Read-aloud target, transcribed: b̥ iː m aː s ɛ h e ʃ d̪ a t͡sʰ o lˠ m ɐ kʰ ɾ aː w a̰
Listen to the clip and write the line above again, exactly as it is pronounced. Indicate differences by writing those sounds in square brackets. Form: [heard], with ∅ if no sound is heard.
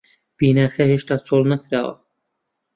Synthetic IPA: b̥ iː [n] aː [x] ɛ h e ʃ [t̪] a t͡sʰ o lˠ [n] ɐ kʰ ɾ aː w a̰